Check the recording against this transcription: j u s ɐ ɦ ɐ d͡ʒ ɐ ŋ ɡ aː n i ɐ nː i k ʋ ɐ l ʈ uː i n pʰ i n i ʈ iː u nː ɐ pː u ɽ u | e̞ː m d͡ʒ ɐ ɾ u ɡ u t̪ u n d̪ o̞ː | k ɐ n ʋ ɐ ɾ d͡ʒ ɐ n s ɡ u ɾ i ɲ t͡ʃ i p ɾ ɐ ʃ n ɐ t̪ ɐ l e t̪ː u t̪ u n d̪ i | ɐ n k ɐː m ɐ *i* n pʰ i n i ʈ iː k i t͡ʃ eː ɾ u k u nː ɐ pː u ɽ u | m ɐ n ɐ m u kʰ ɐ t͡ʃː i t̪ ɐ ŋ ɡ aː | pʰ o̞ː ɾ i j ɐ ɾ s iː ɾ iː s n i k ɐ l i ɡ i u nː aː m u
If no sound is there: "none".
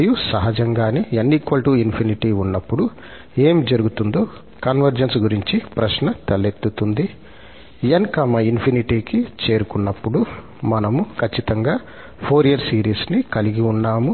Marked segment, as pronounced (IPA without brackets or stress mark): i